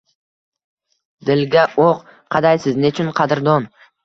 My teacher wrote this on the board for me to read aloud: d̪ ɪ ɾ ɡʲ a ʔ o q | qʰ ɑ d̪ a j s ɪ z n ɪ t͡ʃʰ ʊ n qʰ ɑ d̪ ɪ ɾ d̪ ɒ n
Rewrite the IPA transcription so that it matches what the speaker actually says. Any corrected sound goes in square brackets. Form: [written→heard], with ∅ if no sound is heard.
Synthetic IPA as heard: d̪ ɪ [ɾ→l] ɡʲ a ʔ o q | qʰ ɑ d̪ a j s ɪ z n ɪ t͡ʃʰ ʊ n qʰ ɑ d̪ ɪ ɾ d̪ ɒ n